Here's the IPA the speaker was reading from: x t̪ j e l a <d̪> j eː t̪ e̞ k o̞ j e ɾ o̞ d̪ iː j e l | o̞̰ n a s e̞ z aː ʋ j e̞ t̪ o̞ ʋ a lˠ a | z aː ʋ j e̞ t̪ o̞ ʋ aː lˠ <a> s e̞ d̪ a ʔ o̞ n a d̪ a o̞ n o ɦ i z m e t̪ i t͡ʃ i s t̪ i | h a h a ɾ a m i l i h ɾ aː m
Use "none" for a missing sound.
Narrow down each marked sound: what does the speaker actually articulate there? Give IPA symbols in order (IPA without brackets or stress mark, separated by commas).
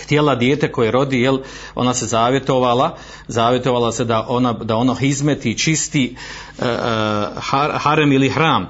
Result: d̪, a